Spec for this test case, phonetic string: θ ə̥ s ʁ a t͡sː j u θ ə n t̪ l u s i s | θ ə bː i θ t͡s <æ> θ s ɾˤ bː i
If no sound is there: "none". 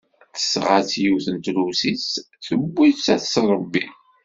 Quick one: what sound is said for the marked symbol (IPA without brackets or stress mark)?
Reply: æ